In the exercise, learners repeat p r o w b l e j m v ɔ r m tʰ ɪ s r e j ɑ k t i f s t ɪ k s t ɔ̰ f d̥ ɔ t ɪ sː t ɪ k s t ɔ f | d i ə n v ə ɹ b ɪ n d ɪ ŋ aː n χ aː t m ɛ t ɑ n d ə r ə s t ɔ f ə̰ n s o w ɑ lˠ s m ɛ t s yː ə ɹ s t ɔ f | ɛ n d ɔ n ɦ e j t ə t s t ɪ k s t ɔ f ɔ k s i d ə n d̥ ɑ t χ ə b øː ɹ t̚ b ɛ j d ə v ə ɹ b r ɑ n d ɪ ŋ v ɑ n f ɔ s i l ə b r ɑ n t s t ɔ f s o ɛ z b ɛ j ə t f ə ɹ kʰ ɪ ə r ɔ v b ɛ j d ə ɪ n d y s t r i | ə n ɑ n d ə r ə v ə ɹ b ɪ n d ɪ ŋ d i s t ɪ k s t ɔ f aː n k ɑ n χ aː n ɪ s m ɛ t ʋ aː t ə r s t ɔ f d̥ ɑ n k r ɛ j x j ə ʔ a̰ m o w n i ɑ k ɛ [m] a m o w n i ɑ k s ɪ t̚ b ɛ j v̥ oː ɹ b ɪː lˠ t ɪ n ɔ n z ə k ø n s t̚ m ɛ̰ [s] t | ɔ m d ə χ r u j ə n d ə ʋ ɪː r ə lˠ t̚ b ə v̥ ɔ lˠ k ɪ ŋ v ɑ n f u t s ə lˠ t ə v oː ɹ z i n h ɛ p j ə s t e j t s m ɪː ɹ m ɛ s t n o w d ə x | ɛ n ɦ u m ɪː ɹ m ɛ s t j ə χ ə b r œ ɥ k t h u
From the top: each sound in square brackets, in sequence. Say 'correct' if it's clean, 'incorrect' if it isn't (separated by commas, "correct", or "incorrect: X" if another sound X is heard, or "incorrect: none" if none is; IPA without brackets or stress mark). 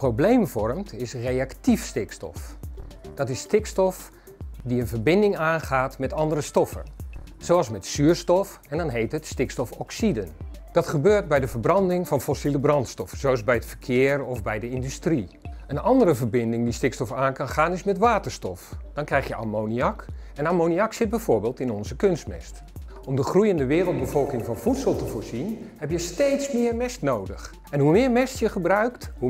incorrect: n, correct